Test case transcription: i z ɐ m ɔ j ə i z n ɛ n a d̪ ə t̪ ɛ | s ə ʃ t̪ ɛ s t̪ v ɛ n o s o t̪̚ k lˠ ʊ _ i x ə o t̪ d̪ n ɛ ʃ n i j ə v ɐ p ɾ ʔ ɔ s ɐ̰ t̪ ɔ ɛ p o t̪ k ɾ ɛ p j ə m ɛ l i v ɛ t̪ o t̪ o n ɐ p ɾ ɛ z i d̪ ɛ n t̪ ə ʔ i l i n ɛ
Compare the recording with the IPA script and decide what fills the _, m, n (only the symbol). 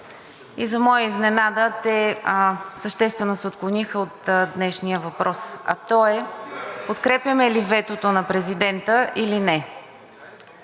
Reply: n